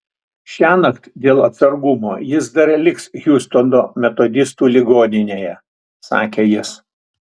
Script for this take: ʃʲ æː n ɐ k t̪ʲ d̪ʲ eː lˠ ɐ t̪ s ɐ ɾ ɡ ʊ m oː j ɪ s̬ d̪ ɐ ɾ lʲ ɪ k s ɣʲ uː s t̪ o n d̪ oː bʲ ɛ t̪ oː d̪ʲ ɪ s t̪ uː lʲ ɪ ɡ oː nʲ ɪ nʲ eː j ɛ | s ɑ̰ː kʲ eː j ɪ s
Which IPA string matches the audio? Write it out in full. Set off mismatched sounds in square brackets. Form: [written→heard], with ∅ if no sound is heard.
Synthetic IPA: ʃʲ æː n ɐ k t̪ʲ d̪ʲ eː lˠ ɐ t̪ s ɐ ɾ ɡ ʊ m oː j ɪ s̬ d̪ ɐ ɾ lʲ ɪ k s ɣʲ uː s t̪ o n d̪ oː [bʲ→mʲ] ɛ t̪ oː d̪ʲ ɪ s t̪ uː lʲ ɪ ɡ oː nʲ ɪ nʲ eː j ɛ | s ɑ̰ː kʲ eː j ɪ s

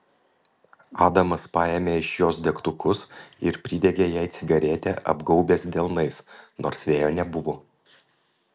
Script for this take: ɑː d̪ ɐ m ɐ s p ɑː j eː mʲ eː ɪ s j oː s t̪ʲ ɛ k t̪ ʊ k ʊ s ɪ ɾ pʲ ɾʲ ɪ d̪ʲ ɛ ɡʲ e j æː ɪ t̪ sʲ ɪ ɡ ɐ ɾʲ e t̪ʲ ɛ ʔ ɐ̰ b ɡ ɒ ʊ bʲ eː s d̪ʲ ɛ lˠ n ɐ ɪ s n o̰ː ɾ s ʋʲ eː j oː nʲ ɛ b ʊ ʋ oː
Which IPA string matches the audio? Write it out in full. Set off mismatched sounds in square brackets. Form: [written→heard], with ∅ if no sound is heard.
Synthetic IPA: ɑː d̪ ɐ m ɐ s p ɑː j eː mʲ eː ɪ [s→ʃ] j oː s [t̪ʲ→d̪ʲ] ɛ k t̪ ʊ k ʊ s ɪ ɾ pʲ ɾʲ ɪ d̪ʲ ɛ ɡʲ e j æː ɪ t̪ sʲ ɪ ɡ ɐ ɾʲ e t̪ʲ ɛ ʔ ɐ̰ b ɡ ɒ ʊ bʲ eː s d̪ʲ ɛ lˠ n ɐ ɪ s n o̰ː ɾ s ʋʲ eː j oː nʲ ɛ b ʊ ʋ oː

